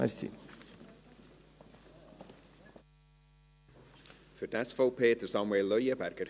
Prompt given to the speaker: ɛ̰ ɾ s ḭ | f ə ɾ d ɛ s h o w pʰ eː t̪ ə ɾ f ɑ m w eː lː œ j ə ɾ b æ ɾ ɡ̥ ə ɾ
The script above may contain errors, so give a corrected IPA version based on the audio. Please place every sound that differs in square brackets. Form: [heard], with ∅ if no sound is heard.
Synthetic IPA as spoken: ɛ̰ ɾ s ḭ | f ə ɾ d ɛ s [f] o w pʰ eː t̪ ə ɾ [s] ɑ m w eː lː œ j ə [∅] b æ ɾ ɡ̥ ə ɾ